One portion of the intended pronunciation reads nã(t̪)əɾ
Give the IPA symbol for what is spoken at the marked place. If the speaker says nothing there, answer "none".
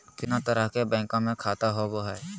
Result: t̪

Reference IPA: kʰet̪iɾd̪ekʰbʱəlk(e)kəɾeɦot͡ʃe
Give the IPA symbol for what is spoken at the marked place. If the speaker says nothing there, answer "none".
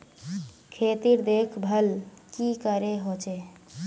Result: i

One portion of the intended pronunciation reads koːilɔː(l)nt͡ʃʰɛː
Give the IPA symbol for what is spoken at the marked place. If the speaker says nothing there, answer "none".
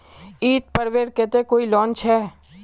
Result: none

